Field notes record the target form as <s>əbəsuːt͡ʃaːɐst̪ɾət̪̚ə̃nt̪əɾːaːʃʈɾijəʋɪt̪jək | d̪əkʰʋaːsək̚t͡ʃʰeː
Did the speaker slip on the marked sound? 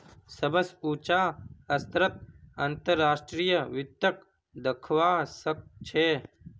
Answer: no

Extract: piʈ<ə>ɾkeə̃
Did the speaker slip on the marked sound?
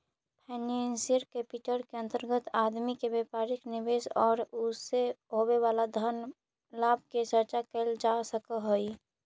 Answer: no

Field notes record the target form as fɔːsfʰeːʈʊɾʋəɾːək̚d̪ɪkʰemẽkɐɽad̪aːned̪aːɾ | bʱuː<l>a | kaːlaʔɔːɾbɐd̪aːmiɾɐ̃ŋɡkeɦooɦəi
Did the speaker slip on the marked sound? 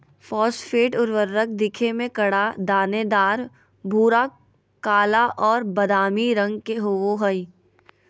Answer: yes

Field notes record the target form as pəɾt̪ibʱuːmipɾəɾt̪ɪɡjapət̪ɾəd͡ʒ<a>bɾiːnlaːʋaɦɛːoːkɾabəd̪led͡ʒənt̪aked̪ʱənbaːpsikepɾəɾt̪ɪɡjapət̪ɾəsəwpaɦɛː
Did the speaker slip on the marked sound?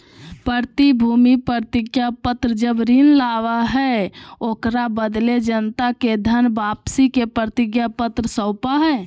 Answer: yes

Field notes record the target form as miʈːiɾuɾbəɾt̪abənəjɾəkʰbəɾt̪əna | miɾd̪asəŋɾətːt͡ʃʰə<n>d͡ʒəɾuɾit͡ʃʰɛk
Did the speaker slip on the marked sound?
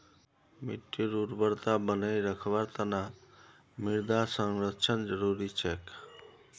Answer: no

